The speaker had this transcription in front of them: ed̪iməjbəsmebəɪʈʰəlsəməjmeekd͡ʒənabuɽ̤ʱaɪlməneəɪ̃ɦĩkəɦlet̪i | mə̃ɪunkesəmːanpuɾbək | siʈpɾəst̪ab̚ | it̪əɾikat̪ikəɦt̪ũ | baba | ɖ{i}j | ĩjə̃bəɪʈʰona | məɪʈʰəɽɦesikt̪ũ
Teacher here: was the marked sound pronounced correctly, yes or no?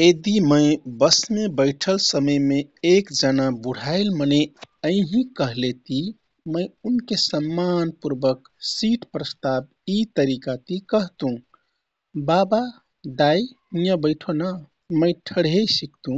no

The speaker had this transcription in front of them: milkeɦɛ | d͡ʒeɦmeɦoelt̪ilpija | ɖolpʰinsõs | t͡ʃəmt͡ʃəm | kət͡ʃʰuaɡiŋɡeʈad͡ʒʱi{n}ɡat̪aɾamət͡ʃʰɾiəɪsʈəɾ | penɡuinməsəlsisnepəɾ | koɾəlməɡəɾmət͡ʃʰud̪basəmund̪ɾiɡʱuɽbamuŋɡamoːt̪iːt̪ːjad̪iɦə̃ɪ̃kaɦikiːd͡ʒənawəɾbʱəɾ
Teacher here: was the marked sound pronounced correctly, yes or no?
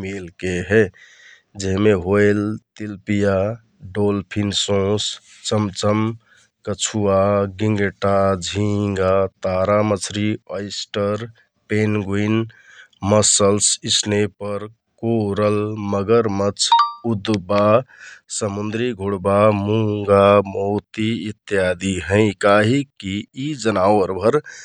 no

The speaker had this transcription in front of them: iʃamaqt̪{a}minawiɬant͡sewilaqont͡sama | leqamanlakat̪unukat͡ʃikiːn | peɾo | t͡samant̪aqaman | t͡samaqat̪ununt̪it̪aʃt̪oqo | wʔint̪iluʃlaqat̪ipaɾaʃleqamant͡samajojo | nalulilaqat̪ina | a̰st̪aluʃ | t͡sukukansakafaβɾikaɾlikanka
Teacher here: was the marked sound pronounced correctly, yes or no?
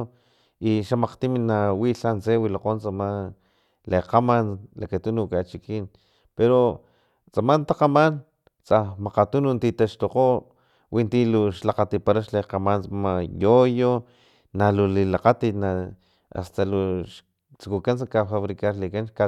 no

